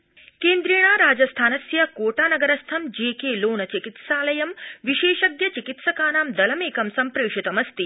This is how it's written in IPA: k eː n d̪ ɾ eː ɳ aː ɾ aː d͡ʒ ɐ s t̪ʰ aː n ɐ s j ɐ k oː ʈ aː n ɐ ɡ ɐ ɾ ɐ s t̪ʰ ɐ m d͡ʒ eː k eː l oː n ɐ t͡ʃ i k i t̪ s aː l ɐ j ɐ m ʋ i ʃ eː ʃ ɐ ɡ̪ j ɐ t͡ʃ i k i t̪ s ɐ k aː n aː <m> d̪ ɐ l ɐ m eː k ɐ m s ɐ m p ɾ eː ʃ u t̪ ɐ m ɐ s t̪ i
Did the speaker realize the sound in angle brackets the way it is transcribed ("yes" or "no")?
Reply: yes